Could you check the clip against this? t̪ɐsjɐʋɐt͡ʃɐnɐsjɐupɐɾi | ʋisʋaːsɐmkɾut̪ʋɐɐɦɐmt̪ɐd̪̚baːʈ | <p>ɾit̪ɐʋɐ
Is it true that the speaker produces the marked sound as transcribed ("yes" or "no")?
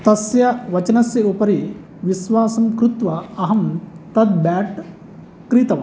no